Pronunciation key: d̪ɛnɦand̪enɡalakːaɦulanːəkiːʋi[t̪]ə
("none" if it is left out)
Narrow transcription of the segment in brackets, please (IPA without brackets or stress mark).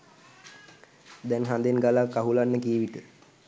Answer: t̪